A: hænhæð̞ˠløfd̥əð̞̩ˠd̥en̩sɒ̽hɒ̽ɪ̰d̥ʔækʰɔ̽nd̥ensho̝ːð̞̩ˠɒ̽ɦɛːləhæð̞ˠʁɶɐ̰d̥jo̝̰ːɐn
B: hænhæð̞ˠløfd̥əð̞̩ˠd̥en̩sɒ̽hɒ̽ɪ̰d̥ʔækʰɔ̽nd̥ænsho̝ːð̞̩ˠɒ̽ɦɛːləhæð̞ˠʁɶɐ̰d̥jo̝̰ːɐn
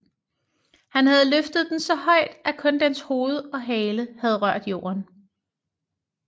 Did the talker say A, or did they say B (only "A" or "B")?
A